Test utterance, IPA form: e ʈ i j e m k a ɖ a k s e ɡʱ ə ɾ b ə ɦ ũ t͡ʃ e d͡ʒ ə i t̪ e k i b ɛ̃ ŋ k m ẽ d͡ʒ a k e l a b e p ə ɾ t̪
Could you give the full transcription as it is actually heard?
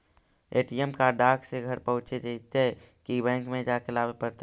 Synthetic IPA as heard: e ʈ i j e m k a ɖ a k s e ɡʱ ə ɾ p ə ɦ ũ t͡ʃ e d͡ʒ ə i t̪ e k i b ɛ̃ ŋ k m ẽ d͡ʒ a k e l a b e p ə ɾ t̪